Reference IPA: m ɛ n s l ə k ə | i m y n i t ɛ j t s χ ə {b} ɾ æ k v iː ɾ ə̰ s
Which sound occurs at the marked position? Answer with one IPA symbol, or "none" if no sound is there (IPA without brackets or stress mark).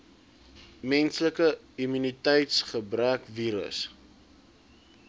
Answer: b